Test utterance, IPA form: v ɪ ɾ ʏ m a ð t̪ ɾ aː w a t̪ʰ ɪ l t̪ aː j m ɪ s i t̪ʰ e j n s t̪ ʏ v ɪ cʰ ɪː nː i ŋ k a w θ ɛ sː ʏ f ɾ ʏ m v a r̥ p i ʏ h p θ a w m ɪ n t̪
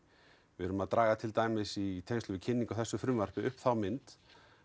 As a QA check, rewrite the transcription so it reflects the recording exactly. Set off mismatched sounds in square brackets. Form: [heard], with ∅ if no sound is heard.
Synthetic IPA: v ɪ ɾ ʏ m a ð t̪ ɾ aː [ɣ] a t̪ʰ ɪ l t̪ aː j m ɪ s i t̪ʰ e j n s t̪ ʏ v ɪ cʰ [ɪ] nː i ŋ k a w θ ɛ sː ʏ f ɾ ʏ m v a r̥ p [ɪ] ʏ h p θ a w m ɪ n t̪